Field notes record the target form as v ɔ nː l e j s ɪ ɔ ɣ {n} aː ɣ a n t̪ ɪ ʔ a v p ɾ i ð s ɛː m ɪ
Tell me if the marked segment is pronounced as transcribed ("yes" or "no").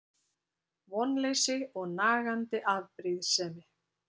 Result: yes